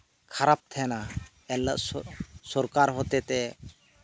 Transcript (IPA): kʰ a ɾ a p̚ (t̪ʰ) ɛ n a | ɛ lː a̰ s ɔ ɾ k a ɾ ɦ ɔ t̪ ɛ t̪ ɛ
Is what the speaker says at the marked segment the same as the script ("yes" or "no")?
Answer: yes